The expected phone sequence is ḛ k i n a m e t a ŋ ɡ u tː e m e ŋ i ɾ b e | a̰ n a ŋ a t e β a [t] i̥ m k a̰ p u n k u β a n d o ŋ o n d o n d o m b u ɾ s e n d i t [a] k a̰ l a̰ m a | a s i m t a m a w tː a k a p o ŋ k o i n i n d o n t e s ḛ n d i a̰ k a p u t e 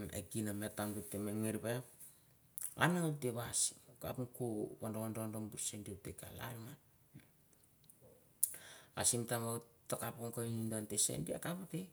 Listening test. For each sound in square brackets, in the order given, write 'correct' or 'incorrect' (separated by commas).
incorrect, incorrect